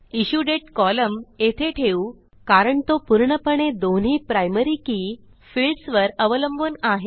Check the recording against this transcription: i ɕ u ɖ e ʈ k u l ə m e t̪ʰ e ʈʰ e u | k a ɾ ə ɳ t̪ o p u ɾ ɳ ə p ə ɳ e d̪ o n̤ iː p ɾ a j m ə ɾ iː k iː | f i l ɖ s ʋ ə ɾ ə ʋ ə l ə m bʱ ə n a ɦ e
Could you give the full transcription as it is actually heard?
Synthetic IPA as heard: i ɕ u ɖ e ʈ k ɔ l ə m e t̪ʰ e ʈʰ e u | k a ɾ ə ɳ t̪ o p u ɾ ɳ ə p ə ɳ e d̪ o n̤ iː p ɾ a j m ə ɾ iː k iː | f i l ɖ s ʋ ə ɾ ə ʋ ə l ə m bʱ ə n a ɦ e